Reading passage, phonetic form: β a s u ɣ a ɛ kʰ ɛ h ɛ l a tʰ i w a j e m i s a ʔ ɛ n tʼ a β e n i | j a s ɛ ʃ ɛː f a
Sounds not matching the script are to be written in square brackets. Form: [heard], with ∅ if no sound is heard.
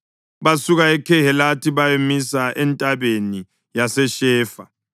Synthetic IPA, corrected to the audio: β a s u ɣ a ɛ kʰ ɛ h ɛ l a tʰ i [β] a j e m i s a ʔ ɛ n tʼ a β e n i | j a s ɛ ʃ ɛː f a